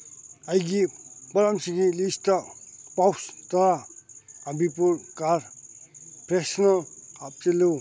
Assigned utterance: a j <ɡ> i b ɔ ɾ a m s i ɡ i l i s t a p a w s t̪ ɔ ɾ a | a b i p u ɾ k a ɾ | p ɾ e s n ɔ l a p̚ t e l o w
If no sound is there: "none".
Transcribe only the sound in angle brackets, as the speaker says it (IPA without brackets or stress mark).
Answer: ɡ